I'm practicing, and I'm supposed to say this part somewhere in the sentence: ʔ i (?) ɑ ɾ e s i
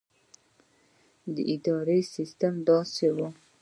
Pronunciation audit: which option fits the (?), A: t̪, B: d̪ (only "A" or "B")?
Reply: B